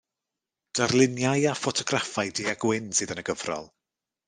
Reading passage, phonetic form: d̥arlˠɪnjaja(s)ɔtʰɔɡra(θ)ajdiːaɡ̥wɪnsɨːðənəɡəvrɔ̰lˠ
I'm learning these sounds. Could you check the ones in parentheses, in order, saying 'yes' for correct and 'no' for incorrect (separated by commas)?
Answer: no, no